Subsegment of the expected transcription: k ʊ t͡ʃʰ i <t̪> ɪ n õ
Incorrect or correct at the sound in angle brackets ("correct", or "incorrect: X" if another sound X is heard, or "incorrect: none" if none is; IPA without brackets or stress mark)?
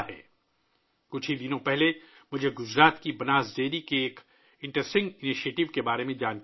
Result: incorrect: d̪